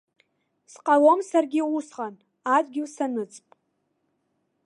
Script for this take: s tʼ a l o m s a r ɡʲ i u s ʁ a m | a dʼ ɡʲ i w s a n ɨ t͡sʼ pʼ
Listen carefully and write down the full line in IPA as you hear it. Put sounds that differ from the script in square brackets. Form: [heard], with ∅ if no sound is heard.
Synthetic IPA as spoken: s [qʼ] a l o m s a r ɡʲ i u s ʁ a [n] | a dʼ ɡʲ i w s a n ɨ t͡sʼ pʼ

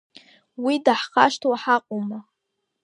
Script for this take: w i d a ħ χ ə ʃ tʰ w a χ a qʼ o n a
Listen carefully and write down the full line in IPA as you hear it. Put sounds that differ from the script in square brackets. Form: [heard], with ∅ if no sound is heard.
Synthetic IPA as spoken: w i d a ħ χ [a] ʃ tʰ w a [ħ] a qʼ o [m] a

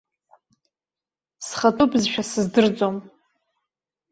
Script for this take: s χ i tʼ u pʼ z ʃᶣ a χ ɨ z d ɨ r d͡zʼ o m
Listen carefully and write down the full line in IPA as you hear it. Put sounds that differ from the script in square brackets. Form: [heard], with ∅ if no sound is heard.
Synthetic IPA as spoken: s χ [a] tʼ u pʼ z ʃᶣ a [s] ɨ z d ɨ r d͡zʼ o m

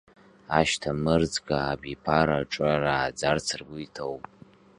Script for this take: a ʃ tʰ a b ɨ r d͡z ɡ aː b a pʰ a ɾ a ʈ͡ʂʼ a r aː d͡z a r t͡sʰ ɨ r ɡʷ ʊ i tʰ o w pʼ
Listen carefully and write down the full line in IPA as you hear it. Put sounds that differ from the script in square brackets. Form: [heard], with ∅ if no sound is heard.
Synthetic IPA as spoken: a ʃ tʰ a [m] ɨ r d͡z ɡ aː b [i] pʰ a ɾ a ʈ͡ʂʼ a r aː d͡z a r t͡sʰ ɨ r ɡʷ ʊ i tʰ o w pʼ

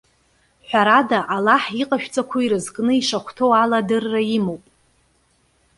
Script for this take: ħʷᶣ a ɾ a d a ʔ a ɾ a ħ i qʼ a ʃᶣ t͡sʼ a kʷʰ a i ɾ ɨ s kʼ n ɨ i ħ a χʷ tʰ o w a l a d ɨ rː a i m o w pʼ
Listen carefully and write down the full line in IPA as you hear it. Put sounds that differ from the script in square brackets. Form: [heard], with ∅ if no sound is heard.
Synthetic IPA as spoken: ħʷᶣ a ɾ a d a ʔ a [l] a ħ i qʼ a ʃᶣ t͡sʼ a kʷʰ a i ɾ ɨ [z] kʼ n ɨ i [ʂ] a χʷ tʰ o w a l a d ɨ rː a i m o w pʼ

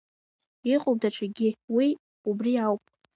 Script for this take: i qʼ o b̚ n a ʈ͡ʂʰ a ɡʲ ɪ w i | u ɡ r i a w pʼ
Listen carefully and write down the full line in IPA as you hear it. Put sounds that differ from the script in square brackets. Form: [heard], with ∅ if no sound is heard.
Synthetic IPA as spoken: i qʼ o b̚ [d] a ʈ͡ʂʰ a ɡʲ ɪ w i | u [b] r i a w pʼ

